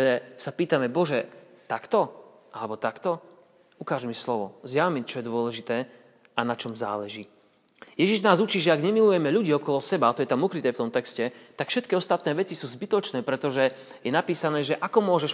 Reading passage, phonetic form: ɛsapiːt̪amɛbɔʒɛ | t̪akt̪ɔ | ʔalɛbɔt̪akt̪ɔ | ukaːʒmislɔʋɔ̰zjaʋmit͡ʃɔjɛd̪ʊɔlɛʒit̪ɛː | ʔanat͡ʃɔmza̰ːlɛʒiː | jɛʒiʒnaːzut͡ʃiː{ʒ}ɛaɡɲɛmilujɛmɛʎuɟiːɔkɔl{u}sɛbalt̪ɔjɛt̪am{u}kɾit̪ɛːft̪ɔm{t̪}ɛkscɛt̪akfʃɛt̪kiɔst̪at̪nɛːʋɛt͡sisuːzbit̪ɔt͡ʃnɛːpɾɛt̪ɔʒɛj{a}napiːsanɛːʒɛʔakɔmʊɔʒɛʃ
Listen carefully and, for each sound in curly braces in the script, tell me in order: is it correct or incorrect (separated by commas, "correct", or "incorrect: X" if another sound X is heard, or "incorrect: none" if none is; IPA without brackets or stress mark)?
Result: correct, incorrect: ɔ, correct, correct, incorrect: ɛ